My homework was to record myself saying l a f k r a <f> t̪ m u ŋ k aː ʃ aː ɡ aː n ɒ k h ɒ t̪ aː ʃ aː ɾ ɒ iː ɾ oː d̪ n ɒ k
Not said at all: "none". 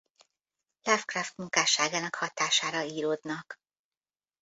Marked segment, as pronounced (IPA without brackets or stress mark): f